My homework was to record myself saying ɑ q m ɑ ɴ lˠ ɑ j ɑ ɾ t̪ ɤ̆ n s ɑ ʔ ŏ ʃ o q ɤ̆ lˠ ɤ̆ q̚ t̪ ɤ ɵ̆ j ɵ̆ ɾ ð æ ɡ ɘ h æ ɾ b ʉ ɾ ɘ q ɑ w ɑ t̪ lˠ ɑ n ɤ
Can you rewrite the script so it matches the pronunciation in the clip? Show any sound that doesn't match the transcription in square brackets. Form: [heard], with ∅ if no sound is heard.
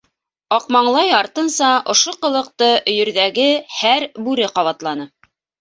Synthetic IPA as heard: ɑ q m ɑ ɴ lˠ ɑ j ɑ ɾ t̪ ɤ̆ n s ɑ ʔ ŏ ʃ o q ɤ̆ lˠ ɤ̆ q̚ t̪ ɤ ɵ̆ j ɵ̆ ɾ ð æ ɡ ɘ h æ ɾ b ʉ ɾ ɘ q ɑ [β] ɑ t̪ lˠ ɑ n ɤ